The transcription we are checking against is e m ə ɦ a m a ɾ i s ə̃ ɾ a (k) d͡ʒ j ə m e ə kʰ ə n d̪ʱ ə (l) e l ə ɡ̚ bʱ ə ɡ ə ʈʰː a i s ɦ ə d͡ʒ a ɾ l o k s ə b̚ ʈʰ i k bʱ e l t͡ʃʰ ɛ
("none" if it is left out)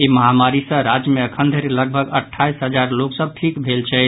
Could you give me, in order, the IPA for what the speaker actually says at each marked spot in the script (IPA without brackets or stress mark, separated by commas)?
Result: none, ɾ